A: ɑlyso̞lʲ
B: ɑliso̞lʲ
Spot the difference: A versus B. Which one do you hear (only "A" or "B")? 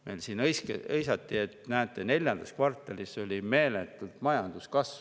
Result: B